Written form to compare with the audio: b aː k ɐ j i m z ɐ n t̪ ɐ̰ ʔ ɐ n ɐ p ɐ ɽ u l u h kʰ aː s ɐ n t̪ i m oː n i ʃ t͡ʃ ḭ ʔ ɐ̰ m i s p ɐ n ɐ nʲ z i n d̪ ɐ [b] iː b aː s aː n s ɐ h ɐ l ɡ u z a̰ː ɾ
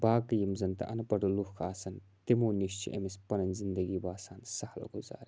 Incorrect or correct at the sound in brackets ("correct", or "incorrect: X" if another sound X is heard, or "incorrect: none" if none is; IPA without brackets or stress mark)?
incorrect: ɡ